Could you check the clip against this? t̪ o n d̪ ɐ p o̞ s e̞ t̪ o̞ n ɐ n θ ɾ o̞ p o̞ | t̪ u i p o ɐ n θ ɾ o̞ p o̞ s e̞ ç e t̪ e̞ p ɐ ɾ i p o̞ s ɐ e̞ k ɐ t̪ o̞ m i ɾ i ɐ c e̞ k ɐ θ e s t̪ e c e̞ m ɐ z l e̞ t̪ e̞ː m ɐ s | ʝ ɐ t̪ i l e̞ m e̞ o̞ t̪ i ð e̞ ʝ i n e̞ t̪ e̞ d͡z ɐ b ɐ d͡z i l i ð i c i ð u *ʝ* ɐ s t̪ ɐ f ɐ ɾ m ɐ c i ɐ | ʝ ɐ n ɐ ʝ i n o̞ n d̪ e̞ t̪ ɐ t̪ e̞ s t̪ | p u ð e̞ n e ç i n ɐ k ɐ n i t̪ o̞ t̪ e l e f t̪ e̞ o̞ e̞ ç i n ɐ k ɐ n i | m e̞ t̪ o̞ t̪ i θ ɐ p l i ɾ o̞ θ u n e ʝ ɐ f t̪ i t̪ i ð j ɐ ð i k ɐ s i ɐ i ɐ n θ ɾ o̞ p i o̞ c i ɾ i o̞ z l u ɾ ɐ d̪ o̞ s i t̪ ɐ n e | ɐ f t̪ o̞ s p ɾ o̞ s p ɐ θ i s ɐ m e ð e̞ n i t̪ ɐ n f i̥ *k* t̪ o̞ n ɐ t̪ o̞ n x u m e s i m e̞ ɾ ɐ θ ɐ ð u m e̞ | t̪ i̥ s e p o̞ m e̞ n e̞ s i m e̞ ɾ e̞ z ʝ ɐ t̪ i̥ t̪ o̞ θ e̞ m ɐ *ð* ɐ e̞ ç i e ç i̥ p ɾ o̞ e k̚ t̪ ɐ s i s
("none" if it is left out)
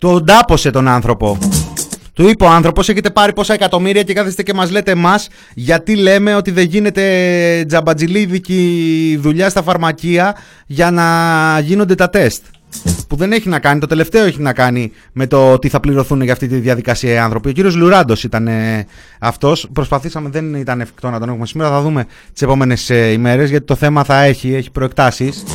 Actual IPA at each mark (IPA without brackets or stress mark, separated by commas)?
ʎ, k, θ